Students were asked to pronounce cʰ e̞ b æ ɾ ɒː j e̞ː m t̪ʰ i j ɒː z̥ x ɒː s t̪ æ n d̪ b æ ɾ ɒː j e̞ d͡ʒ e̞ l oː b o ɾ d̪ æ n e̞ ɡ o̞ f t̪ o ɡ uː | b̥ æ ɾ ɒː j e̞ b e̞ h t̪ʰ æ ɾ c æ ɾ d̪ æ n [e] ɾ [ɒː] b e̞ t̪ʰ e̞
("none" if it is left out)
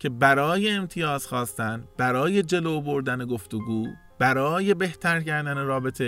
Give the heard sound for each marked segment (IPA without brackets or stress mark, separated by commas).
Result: e, ɒː